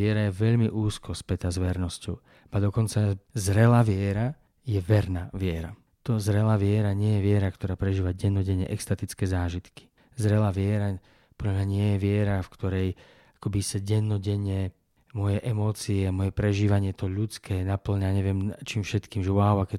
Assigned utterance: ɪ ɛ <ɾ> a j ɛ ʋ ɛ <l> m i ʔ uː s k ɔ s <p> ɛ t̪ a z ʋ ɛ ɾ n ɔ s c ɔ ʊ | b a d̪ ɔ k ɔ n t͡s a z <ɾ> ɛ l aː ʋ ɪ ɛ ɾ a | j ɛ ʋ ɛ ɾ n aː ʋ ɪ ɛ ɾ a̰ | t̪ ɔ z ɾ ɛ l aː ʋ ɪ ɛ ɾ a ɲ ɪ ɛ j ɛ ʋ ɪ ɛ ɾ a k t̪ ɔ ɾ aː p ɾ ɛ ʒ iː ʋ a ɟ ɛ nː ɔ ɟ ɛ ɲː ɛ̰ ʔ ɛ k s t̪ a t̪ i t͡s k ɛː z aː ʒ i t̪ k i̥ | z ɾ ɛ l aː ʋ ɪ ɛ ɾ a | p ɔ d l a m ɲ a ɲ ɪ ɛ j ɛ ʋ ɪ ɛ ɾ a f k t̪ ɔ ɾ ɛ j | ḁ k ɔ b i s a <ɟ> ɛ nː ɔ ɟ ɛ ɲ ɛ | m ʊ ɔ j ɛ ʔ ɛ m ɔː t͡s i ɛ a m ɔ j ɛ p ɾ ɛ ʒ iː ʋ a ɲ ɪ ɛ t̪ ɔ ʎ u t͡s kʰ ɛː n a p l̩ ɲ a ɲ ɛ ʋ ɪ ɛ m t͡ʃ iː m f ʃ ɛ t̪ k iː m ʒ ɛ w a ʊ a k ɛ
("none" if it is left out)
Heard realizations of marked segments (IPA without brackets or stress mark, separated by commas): ɾ, ʎ, p, ɾ, ɟ